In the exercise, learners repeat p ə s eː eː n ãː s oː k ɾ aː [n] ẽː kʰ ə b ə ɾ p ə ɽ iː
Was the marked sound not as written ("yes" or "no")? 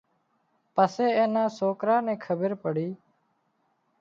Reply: no